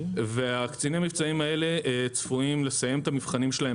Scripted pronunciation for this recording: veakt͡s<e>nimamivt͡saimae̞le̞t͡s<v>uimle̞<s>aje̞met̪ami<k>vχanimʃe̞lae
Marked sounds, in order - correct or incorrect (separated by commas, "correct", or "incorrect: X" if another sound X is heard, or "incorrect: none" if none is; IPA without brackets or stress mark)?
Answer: incorrect: i, incorrect: f, correct, incorrect: none